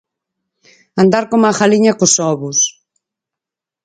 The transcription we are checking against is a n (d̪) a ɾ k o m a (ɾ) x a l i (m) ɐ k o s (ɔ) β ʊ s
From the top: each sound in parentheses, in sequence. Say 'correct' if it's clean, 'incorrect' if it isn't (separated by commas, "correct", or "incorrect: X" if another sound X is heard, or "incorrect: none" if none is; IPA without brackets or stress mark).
correct, incorrect: none, incorrect: ɲ, correct